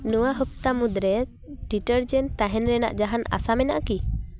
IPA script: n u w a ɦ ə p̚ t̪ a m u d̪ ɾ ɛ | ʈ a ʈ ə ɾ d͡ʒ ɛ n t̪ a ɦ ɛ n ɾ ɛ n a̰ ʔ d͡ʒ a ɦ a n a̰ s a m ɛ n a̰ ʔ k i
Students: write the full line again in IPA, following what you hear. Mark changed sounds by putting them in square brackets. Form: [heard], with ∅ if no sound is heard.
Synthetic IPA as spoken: n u w a ɦ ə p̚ t̪ a m u d̪ ɾ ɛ | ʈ [i] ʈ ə ɾ d͡ʒ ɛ n t̪ a ɦ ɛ n ɾ ɛ n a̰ ʔ d͡ʒ a ɦ a n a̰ s a m ɛ n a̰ ʔ k i